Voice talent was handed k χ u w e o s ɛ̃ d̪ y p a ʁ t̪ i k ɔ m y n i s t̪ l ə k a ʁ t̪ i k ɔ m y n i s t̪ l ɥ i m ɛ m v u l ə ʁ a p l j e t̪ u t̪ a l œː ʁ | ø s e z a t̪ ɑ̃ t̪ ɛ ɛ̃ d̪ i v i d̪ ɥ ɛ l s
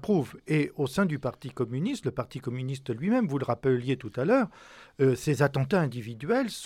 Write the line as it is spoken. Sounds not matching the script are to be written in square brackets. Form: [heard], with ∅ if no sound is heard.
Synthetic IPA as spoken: [p] χ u [v] e o s ɛ̃ d̪ y p a ʁ t̪ i k ɔ m y n i s t̪ l ə [p] a ʁ t̪ i k ɔ m y n i s t̪ l ɥ i m ɛ m v u l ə ʁ a p l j e t̪ u t̪ a l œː ʁ | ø s e z a t̪ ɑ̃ t̪ [a] ɛ̃ d̪ i v i d̪ ɥ ɛ l s